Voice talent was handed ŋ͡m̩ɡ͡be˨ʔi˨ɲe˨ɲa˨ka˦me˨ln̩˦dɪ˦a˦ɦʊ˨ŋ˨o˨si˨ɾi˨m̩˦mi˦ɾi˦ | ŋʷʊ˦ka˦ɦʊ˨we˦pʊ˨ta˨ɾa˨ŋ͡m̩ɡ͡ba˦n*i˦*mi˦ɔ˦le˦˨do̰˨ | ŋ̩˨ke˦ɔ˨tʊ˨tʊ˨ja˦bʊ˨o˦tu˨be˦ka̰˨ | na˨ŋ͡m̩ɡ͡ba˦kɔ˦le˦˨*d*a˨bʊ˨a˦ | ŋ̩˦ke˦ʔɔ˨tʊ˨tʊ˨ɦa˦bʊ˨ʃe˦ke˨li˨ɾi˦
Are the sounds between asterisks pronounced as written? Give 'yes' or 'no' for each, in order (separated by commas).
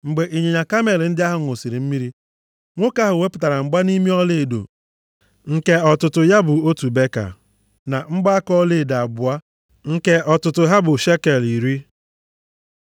yes, yes